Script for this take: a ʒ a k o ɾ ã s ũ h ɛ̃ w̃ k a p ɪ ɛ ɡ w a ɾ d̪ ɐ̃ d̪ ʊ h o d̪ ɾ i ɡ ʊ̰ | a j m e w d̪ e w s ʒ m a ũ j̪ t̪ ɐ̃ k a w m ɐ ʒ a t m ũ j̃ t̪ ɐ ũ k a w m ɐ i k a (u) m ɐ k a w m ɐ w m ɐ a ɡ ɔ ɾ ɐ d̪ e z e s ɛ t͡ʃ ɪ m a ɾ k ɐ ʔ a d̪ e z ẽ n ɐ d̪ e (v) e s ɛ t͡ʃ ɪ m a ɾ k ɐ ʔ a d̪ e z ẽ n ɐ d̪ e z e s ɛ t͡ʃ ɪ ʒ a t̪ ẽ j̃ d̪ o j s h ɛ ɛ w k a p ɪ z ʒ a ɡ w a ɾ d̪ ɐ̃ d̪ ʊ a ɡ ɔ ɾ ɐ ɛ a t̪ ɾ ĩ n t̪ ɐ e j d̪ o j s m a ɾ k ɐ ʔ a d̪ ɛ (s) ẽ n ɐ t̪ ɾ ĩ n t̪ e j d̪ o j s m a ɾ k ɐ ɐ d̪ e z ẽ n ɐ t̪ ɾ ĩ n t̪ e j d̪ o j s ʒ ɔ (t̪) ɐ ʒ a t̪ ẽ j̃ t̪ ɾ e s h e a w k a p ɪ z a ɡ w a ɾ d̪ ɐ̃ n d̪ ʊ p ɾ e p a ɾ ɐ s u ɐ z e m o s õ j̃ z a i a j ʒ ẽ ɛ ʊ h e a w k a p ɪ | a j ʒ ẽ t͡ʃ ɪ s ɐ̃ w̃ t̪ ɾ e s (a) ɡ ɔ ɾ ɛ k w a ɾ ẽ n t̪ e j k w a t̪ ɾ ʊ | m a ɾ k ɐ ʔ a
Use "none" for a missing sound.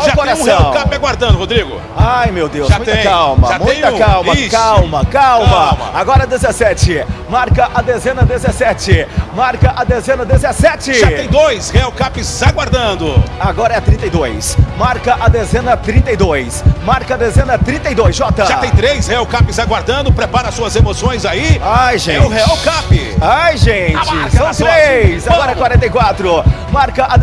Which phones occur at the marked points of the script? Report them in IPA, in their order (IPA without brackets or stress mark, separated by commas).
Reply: w, z, z, t̪, a